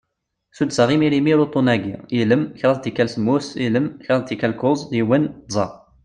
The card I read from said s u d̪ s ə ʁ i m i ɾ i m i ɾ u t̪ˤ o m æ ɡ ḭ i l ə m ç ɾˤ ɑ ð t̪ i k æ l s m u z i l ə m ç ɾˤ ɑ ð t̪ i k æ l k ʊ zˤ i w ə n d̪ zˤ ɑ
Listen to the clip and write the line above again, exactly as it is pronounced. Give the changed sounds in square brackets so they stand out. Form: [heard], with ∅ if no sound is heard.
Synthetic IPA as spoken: s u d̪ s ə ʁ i m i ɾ i m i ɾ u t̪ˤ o [n] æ ɡ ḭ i l ə m ç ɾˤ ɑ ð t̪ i k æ l s m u [s] i l ə m ç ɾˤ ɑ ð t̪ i k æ l k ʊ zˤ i w ə n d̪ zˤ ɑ